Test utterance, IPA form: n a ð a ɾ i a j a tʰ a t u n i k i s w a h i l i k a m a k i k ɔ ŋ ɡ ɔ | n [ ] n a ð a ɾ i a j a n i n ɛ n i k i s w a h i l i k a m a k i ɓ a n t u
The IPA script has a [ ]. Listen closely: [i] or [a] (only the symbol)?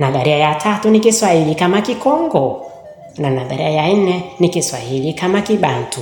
a